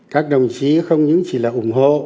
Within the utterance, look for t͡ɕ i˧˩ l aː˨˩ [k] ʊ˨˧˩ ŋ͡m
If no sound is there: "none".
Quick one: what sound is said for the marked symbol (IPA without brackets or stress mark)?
ʔ